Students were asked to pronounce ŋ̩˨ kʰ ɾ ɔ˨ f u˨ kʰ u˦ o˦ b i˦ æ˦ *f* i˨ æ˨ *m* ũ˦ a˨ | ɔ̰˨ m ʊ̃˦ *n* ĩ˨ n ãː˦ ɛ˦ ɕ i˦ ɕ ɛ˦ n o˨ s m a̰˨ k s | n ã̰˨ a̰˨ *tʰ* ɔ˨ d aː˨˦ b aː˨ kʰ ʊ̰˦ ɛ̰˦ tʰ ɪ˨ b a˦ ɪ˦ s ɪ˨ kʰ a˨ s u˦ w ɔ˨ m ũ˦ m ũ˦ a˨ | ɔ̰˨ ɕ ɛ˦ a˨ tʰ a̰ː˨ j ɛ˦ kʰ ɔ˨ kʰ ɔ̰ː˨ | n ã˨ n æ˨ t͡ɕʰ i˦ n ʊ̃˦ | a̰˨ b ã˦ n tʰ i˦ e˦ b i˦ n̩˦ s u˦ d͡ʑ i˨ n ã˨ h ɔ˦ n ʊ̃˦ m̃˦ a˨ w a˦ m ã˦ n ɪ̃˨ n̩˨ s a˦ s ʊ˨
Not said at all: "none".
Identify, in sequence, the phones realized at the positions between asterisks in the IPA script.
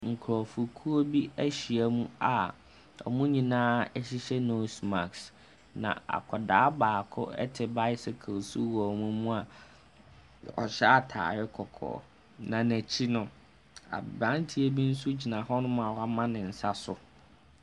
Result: ɕ, m, ɲ, kʰ

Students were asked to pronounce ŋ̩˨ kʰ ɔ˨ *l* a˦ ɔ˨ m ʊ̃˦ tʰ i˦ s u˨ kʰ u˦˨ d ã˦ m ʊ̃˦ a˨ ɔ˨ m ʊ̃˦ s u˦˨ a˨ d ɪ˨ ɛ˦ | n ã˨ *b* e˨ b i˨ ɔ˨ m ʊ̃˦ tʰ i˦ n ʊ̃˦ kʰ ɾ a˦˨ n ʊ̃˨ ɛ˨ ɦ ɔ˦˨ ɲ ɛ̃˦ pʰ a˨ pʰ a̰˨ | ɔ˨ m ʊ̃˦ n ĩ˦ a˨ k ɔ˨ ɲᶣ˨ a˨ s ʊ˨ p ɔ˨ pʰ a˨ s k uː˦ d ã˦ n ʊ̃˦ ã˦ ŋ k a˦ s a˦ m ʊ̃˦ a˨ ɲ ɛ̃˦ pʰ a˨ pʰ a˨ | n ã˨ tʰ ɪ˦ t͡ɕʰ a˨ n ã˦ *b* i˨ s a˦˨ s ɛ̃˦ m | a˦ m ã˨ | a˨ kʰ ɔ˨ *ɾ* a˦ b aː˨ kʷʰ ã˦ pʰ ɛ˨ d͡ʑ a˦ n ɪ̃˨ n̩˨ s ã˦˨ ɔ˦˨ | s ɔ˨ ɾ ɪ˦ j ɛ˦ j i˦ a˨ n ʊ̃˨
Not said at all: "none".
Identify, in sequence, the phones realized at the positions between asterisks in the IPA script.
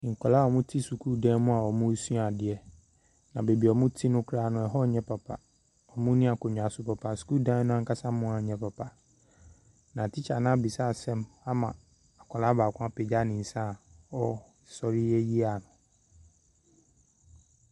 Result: l, b, b, l

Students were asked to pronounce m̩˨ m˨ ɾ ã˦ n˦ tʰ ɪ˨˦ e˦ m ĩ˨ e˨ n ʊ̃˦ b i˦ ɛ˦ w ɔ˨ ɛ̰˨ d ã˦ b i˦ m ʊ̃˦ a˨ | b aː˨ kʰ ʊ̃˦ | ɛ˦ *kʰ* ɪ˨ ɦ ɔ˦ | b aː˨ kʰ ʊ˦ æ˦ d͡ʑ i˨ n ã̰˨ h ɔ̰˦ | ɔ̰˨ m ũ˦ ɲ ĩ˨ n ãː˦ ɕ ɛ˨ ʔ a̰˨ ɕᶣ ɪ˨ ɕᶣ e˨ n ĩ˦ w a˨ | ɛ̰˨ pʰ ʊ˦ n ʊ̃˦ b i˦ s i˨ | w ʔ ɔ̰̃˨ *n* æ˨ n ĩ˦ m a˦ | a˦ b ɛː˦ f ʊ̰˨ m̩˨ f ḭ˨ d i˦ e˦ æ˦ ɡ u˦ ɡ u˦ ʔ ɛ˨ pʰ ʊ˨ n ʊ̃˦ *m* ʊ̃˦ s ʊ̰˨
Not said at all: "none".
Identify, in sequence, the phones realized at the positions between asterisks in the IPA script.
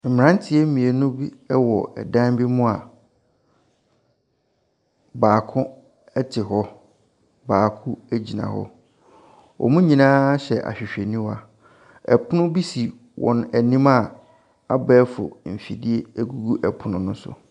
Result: tʰ, n, n

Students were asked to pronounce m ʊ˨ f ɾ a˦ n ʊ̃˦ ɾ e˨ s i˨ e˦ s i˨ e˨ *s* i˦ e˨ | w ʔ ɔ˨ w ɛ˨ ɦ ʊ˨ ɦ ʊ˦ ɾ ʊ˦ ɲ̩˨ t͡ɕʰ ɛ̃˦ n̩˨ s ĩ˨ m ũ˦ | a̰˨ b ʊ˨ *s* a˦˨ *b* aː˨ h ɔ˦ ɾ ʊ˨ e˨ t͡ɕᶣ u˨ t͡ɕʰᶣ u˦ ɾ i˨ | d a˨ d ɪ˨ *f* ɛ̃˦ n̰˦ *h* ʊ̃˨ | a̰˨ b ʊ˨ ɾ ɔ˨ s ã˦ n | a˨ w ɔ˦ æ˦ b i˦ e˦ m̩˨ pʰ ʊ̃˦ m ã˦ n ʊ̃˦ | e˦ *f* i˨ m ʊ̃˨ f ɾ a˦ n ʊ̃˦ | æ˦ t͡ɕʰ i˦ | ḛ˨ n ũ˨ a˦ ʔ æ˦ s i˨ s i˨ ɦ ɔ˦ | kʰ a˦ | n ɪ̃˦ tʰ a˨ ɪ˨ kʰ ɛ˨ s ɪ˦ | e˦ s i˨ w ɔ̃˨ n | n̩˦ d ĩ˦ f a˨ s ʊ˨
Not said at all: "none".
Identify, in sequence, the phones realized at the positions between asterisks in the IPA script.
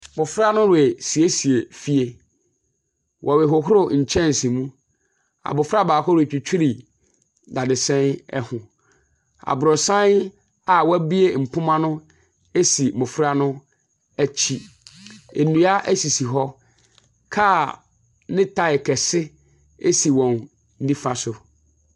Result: f, f, b, s, h, s

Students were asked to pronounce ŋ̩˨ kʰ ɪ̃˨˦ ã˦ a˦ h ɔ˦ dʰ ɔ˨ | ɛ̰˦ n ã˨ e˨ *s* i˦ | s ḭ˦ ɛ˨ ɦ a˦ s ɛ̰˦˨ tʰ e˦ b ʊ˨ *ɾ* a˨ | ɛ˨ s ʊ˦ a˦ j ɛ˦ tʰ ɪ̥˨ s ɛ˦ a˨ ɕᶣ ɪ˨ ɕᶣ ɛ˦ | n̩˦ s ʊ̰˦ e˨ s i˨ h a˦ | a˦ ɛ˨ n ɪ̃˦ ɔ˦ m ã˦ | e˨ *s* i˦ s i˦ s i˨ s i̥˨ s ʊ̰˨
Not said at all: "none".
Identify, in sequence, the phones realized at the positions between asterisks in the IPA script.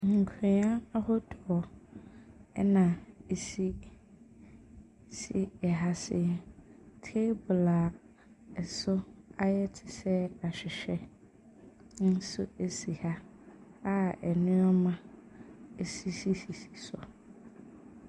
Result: s, l, s

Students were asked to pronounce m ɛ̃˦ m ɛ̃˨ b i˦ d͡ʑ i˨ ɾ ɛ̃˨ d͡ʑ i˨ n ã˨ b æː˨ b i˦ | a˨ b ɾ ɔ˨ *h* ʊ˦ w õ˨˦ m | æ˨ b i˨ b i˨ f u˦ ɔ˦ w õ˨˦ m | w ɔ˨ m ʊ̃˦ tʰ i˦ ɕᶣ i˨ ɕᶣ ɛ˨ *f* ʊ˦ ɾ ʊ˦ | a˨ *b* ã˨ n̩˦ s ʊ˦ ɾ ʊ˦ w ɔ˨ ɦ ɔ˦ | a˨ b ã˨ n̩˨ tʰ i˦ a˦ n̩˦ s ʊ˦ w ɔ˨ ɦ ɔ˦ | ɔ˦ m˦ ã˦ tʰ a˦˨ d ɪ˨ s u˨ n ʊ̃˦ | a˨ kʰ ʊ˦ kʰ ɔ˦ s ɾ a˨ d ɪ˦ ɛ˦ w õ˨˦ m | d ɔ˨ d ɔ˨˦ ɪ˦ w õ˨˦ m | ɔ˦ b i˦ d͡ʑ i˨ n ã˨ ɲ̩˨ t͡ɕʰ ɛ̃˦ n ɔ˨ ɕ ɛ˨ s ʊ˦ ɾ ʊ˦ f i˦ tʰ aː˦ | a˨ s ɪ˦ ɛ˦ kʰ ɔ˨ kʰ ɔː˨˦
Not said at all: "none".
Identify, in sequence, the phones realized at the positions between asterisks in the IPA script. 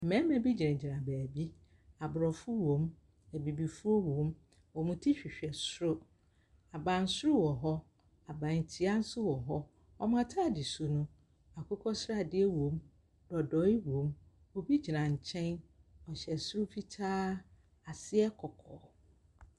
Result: f, s, b

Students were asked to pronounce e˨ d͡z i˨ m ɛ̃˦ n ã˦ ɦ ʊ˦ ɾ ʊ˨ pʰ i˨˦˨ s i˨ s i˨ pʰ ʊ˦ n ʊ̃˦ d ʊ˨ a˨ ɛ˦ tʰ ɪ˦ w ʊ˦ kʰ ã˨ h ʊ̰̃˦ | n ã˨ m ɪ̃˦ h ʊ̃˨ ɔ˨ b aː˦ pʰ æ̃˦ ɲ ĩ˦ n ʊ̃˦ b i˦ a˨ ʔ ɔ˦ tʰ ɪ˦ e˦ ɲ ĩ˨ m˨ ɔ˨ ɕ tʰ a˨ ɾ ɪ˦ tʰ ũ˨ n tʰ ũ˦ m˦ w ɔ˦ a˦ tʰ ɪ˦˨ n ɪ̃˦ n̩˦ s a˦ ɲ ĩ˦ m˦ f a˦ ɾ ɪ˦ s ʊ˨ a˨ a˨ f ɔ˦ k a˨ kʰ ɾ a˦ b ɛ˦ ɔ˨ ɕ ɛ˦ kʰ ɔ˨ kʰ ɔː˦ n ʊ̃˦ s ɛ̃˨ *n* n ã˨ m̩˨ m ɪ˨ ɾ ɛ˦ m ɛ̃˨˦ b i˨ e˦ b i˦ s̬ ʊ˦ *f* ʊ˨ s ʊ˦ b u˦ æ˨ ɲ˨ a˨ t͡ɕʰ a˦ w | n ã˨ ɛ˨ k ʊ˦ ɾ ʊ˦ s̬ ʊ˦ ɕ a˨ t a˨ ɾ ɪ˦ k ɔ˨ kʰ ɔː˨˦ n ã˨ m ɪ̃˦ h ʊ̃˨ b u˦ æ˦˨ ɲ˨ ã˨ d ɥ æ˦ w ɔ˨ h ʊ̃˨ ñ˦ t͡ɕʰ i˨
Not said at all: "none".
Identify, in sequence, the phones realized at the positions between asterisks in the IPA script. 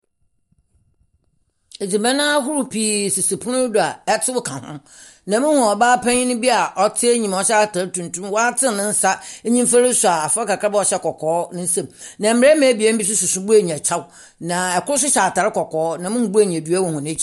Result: m, s

